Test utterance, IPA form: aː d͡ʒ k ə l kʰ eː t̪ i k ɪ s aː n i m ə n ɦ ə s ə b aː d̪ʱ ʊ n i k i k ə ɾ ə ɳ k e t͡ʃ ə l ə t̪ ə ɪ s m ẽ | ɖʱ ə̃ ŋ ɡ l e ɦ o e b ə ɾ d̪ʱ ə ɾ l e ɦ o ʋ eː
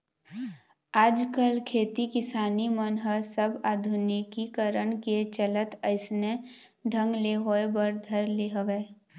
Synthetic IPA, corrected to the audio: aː d͡ʒ k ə l kʰ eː t̪ i k ɪ s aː n i m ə n ɦ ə s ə b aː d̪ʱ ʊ n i k i k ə ɾ ə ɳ k e t͡ʃ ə l ə t̪ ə ɪ s n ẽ | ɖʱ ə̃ ŋ ɡ l e ɦ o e b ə ɾ d̪ʱ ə ɾ l e ɦ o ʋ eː